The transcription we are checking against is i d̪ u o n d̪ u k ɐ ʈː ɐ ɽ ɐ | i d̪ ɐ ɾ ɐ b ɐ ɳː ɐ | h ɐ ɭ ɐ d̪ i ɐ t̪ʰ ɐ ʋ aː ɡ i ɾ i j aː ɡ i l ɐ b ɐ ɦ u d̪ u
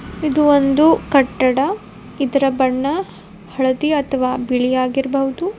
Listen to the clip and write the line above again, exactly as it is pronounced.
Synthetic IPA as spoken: i d̪ u o n d̪ u k ɐ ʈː ɐ ɽ ɐ | i d̪ ɐ ɾ ɐ b ɐ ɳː ɐ | h ɐ ɭ ɐ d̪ i ɐ t̪ʰ ɐ ʋ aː b i ɭ i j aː ɡ i ɾ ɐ b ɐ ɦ u d̪ u

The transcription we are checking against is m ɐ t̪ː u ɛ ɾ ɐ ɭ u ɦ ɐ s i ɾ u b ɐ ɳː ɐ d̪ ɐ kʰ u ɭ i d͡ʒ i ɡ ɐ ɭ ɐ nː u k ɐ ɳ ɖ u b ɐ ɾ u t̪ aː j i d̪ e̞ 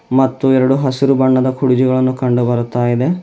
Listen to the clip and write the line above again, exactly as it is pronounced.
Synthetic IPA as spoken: m ɐ t̪ː u ɛ ɾ ɐ ɽ u ɦ ɐ s i ɾ u b ɐ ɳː ɐ d̪ ɐ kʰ u ɽ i d͡ʒ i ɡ ɐ ɭ ɐ nː u k ɐ ɳ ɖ u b ɐ ɾ u t̪ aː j i d̪ e̞

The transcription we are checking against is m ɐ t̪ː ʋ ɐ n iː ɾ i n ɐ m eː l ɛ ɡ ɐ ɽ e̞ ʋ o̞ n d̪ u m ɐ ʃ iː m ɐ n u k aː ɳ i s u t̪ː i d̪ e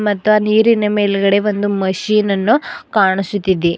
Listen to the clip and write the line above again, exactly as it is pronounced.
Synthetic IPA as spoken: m ɐ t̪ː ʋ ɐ n iː ɾ i n ɐ m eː l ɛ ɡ ɐ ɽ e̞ ʋ o̞ n d̪ u m ɐ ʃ iː n ɐ nː u k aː ɳ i s u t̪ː i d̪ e

